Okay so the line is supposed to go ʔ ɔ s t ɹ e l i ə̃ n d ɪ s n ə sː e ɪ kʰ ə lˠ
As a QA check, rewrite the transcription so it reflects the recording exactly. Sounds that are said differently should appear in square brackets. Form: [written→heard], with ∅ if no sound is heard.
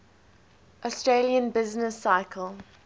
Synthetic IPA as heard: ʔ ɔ s t ɹ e l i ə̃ n [d→b] ɪ [s→z] n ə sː [e→a] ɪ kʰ ə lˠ